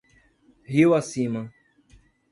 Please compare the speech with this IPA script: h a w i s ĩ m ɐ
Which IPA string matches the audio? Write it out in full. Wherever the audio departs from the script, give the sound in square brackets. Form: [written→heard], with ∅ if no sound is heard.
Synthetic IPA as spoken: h [a→i] w [i→a] s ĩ m ɐ